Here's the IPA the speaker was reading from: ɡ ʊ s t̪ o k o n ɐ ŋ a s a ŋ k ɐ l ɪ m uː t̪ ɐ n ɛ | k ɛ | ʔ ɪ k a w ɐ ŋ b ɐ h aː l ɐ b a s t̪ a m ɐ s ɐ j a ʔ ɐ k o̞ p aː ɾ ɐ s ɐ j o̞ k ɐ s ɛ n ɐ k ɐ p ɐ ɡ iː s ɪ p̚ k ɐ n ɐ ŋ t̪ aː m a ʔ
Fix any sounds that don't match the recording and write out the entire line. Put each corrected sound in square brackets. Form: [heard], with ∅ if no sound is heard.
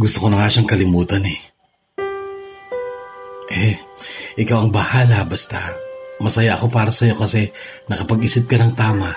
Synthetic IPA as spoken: ɡ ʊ s t̪ o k o n ɐ ŋ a [ʃ] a ŋ k ɐ l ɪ m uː t̪ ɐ n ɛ | [ʔ] ɛ | ʔ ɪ k a w ɐ ŋ b ɐ h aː l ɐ b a s t̪ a m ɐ s ɐ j a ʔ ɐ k o̞ p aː ɾ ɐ s ɐ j o̞ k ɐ s ɛ n ɐ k ɐ p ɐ ɡ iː s ɪ p̚ k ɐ n ɐ ŋ t̪ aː m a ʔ